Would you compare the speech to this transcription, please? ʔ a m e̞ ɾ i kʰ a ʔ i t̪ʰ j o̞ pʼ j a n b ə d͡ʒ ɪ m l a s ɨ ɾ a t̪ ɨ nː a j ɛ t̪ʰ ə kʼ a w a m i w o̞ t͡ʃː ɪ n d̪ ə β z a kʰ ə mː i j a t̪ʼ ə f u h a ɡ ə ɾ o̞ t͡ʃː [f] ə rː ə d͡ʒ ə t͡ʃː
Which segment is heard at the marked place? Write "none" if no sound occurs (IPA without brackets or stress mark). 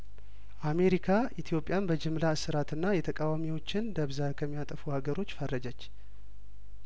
f